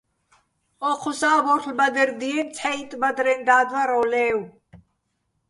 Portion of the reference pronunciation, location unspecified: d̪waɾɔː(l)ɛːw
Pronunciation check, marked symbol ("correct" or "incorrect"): correct